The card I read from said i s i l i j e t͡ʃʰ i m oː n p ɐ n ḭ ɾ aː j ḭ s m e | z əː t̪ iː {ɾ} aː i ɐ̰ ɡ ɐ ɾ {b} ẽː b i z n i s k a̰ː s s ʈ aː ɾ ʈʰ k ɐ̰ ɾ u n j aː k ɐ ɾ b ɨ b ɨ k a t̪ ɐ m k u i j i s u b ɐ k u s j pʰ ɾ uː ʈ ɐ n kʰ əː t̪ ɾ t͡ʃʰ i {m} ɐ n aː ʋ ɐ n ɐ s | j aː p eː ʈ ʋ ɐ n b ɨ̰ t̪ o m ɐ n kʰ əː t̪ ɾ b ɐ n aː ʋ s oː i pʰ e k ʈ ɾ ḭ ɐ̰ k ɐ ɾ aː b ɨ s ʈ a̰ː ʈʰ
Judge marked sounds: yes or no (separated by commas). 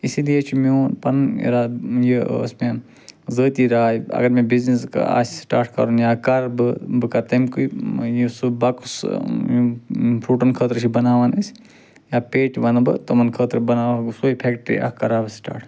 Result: yes, no, no